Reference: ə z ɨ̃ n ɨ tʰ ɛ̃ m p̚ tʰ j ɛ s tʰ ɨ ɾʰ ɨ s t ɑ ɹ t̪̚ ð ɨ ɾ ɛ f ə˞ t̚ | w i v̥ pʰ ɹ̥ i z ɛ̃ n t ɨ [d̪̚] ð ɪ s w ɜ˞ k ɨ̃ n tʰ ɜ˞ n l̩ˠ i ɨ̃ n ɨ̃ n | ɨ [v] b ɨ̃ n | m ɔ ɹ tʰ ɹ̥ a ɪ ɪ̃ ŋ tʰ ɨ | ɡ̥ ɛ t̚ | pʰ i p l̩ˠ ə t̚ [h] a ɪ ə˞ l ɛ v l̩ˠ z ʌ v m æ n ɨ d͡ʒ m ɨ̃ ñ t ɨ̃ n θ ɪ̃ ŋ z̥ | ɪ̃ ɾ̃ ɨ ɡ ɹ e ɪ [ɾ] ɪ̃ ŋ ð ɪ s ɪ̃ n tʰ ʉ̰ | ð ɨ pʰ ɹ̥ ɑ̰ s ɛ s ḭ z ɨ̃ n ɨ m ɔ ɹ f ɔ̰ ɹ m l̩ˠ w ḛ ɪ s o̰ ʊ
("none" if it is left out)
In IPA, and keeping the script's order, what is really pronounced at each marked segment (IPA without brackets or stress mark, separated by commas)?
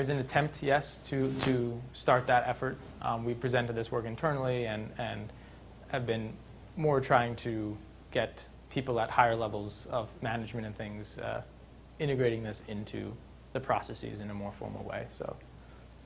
d̪̚, v, h, ɾ